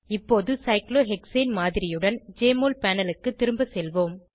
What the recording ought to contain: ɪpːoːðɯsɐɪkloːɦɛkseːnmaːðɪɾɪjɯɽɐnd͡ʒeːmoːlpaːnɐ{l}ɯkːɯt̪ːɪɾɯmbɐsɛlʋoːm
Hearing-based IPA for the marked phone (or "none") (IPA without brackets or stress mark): l